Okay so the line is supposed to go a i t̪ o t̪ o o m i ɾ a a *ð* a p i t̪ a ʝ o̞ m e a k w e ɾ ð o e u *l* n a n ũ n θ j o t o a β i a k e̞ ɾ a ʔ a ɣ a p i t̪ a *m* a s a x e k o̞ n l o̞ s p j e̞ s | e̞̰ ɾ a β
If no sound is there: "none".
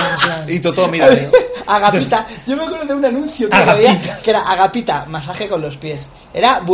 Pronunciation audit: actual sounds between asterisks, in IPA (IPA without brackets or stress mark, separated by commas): ɣ, none, m